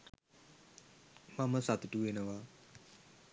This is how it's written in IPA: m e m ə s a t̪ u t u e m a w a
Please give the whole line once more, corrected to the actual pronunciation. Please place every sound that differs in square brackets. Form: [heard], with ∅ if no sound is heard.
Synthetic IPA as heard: m [a] m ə s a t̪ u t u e [n] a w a